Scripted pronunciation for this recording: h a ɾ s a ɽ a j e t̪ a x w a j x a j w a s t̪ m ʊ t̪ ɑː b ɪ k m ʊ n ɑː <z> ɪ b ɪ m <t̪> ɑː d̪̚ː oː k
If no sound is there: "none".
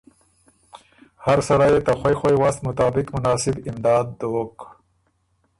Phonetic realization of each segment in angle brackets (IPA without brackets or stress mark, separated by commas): s, d̪